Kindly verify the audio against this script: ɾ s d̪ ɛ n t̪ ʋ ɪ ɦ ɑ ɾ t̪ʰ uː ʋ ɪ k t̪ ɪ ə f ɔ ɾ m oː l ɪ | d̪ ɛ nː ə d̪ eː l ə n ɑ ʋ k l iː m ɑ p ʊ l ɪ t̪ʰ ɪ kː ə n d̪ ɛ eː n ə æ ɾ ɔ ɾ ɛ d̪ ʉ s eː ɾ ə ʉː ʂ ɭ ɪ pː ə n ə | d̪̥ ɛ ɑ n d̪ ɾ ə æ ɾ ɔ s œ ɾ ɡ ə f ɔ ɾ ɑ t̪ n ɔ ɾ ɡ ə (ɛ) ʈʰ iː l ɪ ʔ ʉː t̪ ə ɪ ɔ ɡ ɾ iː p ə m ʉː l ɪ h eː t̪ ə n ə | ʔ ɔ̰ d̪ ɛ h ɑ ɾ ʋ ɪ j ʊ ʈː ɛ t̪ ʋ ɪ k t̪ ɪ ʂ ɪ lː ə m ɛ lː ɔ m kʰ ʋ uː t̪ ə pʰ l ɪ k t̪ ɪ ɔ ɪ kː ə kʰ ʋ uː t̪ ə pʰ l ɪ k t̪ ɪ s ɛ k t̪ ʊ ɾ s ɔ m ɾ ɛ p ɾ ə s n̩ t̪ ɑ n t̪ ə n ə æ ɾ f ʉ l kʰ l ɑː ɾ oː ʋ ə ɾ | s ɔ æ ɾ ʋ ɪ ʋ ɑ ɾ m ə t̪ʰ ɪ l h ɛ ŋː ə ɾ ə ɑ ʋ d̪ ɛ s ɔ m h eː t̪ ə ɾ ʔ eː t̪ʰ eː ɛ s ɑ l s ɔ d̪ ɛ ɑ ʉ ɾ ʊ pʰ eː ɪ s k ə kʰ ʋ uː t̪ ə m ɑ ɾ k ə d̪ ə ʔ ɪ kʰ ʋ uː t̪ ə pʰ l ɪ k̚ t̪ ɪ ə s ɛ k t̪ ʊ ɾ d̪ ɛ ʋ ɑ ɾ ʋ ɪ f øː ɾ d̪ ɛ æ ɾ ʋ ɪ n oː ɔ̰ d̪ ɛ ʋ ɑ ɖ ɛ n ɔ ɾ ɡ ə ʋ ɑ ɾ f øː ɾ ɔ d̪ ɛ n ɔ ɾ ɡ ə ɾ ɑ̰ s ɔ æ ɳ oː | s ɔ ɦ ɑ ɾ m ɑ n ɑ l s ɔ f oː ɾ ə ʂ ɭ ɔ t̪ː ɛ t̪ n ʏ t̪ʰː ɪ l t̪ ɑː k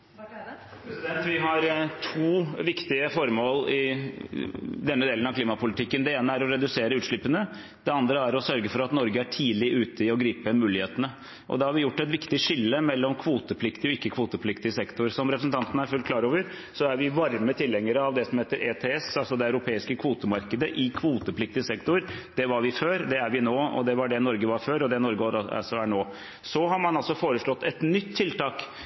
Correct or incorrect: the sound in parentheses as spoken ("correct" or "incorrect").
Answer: incorrect